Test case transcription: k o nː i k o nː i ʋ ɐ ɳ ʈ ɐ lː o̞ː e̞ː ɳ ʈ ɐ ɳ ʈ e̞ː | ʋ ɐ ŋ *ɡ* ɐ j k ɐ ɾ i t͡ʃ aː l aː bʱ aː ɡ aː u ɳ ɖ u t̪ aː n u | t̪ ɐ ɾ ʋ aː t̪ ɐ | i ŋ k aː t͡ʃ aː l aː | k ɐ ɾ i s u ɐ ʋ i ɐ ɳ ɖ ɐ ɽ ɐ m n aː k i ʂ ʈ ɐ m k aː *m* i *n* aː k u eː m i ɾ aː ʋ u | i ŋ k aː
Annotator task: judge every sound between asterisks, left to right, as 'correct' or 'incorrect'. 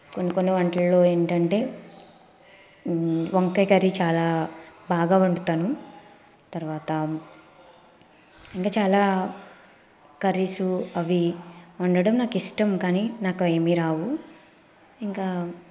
incorrect, incorrect, correct

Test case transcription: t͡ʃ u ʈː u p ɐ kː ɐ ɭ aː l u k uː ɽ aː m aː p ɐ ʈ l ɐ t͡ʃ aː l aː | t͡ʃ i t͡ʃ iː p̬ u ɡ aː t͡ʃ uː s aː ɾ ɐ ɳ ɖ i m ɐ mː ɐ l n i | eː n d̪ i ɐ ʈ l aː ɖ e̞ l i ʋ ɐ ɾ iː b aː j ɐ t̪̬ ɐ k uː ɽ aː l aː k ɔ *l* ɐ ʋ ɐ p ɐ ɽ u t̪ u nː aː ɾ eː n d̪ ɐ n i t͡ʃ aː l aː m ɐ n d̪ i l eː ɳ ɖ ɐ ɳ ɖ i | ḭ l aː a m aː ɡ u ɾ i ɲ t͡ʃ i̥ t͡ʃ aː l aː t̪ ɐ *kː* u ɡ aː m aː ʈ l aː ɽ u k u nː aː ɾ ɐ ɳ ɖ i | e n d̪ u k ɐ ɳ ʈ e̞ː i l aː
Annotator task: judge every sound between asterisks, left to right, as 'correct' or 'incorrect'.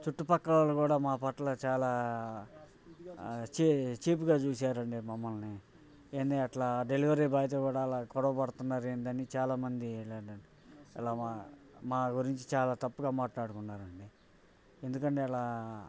incorrect, incorrect

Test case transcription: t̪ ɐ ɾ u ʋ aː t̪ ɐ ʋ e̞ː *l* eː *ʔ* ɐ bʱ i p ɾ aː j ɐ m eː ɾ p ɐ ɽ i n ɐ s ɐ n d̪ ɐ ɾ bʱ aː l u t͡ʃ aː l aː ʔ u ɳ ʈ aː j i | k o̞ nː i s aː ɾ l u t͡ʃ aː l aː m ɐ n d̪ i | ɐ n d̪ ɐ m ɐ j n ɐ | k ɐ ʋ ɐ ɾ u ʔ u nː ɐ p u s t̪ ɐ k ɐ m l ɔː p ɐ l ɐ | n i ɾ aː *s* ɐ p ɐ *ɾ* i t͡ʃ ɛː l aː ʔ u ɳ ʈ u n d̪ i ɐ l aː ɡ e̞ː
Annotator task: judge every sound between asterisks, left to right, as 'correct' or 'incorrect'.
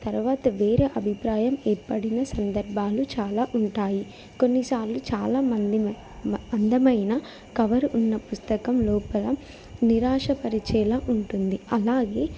incorrect, correct, incorrect, correct

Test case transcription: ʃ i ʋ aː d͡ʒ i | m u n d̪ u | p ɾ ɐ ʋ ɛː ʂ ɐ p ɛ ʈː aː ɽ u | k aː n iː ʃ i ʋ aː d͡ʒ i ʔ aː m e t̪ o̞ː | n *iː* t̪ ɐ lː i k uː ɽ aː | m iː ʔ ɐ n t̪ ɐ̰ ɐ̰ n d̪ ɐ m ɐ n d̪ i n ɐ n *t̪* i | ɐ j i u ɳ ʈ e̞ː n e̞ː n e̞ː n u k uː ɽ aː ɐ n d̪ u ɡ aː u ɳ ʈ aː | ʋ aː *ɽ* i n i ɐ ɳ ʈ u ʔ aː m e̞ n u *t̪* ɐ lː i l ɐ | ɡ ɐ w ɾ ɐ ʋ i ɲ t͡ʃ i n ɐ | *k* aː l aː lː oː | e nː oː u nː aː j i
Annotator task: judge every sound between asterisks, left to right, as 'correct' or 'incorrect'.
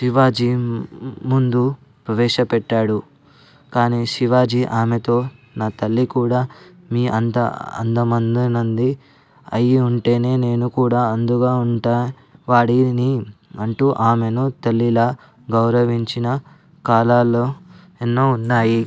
incorrect, incorrect, correct, correct, correct

